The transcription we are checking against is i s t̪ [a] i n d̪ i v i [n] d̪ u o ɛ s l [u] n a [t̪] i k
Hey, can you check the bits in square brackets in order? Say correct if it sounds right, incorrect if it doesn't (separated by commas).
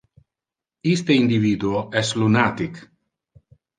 incorrect, incorrect, correct, correct